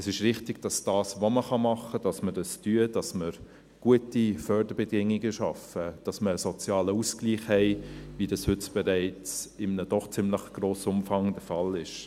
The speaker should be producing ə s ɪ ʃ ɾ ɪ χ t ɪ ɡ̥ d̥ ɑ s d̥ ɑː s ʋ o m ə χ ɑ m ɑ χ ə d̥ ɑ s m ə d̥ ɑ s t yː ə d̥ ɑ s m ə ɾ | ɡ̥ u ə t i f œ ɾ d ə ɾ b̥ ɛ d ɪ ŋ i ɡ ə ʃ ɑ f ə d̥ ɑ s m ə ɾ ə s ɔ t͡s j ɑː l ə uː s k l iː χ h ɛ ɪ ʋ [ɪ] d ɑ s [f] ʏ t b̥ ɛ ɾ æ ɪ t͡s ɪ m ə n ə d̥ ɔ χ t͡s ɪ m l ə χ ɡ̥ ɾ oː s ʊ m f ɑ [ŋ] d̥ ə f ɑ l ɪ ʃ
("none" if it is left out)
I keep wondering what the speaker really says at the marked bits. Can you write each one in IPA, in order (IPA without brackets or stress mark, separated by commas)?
i, h, ŋ